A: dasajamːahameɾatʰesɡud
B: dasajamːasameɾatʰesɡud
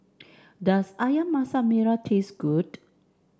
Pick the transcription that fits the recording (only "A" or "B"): B